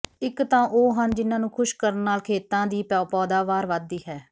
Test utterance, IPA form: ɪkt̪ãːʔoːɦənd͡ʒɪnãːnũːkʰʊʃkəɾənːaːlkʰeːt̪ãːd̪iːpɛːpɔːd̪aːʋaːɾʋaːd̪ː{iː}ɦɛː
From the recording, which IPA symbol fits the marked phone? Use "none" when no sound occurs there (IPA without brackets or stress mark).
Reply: iː